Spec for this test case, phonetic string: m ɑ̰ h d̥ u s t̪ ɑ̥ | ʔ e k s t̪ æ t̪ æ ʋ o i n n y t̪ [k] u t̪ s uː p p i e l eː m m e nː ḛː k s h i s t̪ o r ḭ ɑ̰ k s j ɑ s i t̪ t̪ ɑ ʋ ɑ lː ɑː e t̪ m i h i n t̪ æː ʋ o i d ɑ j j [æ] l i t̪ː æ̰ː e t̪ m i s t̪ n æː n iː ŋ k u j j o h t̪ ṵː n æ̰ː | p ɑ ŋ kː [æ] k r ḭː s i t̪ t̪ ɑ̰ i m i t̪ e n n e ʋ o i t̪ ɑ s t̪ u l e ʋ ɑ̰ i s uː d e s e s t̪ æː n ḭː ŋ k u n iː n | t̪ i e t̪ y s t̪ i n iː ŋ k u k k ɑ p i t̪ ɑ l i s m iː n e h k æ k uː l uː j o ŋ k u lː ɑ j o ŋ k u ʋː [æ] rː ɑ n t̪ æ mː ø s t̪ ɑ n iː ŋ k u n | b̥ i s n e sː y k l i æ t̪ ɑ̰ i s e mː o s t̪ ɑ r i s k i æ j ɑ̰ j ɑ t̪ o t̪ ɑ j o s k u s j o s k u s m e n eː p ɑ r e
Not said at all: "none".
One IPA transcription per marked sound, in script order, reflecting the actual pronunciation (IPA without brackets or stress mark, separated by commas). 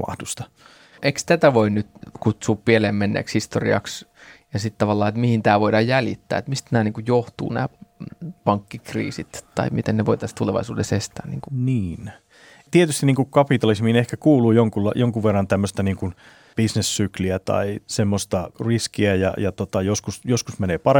k, æ, i, e